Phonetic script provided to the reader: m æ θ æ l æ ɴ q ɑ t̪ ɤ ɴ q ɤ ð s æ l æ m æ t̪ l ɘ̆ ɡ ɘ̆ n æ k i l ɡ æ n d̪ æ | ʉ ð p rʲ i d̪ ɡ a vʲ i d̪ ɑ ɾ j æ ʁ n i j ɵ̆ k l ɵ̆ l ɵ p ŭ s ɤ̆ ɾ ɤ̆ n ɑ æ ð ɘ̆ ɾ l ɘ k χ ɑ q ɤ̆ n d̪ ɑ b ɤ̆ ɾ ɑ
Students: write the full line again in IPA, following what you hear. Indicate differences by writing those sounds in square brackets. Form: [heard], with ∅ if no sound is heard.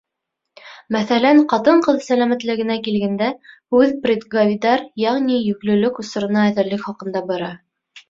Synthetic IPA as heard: m æ θ æ l æ ɴ q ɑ t̪ ɤ ɴ q ɤ ð s æ l æ m æ t̪ l ɘ̆ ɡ ɘ̆ n æ k i l ɡ æ n d̪ æ | ʉ ð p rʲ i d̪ ɡ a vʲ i d̪ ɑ ɾ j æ ʁ n i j ɵ̆ k l ɵ̆ l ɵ [k] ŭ s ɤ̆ ɾ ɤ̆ n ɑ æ ð ɘ̆ ɾ l ɘ k χ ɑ q ɤ̆ n d̪ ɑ b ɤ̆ ɾ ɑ